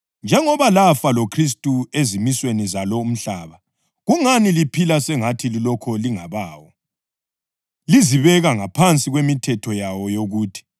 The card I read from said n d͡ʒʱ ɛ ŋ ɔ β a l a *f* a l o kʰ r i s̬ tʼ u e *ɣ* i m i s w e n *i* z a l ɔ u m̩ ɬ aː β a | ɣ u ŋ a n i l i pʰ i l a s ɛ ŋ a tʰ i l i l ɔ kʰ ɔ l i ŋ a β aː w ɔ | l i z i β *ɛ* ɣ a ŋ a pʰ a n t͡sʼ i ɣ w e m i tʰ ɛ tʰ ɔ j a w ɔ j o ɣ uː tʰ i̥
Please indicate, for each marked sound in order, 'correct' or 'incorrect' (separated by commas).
correct, incorrect, correct, correct